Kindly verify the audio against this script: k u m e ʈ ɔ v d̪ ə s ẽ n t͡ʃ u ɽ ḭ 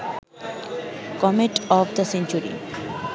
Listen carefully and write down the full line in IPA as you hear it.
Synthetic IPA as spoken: k ɔ m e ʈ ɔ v d̪ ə s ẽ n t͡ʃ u ɾ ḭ